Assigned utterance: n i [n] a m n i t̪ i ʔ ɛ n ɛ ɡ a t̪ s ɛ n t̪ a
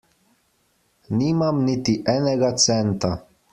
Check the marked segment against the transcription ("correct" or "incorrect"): incorrect